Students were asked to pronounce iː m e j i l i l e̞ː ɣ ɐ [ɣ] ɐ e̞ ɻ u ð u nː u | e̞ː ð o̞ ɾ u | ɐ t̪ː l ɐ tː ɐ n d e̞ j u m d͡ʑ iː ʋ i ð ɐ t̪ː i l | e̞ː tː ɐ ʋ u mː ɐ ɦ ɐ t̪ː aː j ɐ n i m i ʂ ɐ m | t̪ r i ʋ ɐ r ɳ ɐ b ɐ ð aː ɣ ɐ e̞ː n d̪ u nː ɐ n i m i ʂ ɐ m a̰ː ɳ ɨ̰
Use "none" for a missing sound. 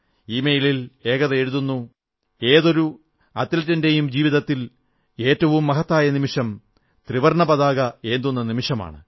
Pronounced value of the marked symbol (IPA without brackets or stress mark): ð